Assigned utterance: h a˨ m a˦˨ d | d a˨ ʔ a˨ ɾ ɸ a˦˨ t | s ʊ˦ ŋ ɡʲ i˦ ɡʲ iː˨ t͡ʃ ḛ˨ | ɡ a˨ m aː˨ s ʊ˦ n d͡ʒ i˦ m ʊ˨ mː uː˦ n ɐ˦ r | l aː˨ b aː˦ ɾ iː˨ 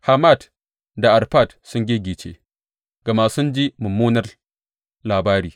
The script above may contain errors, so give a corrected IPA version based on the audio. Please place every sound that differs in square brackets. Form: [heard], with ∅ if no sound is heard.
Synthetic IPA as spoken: h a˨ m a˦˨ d | d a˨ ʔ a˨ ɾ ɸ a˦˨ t | s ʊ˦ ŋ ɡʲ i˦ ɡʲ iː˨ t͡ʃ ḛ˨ | ɡ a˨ m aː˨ s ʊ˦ n d͡ʒ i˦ m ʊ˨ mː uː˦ n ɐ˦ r | l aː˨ b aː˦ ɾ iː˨